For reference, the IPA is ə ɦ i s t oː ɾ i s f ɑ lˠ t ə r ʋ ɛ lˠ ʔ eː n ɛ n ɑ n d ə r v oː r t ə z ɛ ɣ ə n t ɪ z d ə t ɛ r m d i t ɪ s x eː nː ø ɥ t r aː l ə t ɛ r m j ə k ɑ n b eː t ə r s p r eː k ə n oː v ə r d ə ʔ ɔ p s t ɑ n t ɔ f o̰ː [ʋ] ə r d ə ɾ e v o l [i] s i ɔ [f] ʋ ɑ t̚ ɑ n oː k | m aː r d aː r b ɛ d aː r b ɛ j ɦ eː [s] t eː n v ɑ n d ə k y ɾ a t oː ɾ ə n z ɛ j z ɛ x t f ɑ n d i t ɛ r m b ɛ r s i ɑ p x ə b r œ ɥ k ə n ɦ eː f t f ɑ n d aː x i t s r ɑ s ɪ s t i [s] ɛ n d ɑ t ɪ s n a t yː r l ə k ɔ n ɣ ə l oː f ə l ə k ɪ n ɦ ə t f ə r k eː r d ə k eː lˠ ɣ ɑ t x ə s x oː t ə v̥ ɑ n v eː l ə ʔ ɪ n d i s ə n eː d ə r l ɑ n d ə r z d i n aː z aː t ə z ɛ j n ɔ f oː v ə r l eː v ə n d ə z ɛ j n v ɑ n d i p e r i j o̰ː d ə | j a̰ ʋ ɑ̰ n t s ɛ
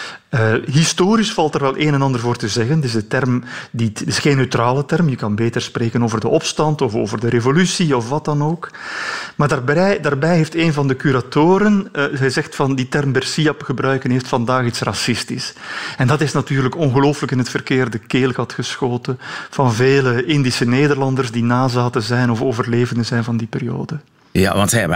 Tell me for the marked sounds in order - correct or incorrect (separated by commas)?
incorrect, incorrect, correct, incorrect, correct